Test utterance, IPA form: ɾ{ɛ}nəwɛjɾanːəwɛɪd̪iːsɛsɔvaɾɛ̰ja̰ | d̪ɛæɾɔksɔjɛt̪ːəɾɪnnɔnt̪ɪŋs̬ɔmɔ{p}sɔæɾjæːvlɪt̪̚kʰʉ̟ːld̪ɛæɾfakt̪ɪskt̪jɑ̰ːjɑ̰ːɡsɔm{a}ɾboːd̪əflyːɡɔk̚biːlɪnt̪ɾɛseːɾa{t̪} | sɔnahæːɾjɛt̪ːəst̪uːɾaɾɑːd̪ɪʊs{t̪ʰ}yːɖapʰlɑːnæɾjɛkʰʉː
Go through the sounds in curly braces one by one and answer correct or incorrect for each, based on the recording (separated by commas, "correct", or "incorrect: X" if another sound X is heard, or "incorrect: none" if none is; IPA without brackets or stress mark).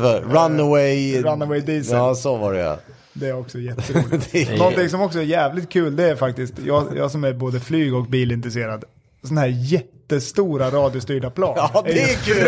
incorrect: a, incorrect: k, incorrect: æ, incorrect: d̪, incorrect: t̪